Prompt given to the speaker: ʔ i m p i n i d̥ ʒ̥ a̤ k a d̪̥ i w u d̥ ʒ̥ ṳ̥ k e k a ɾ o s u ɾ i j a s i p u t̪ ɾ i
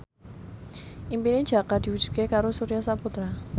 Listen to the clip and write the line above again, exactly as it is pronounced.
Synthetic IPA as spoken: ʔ i m p i n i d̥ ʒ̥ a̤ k a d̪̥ i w u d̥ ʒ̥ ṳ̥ k e k a ɾ o s u ɾ i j a s a p u t̪ ɾ a

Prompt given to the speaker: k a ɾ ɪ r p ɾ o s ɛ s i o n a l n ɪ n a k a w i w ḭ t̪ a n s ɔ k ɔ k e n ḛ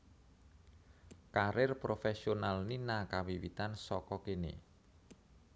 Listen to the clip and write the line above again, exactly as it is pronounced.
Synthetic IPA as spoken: k a ɾ ɪ r p ɾ o f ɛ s i o n a l n i n a k a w i w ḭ t̪ a n s ɔ k ɔ k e n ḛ

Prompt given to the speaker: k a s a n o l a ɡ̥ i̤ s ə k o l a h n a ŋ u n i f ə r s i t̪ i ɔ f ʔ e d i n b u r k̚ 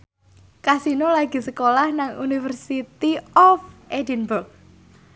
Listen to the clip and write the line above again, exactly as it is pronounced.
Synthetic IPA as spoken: k a s i n o l a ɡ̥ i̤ s ə k o l a h n a ŋ u n i f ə r s i t̪ i ɔ f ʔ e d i n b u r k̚

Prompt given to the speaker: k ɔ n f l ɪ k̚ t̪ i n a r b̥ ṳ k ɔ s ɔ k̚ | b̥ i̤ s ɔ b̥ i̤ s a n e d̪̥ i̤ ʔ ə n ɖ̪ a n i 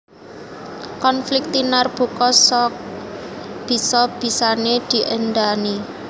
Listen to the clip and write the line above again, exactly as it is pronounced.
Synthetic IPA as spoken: k ɔ n f l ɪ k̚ t̪ i n a r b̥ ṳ k ɔ s ɔ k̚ | b̥ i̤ s ɔ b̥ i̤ s a n e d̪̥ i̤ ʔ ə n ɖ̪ a n i

